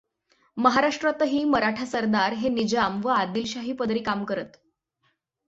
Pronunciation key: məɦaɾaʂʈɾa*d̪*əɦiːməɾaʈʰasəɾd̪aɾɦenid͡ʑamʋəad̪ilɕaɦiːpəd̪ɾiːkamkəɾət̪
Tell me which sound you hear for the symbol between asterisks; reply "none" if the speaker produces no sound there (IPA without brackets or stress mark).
t̪